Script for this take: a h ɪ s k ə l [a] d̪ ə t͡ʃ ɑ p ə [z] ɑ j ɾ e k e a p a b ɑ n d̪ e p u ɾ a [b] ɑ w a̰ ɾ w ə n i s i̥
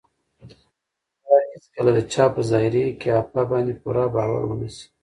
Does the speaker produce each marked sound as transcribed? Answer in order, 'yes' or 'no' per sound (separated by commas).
yes, yes, yes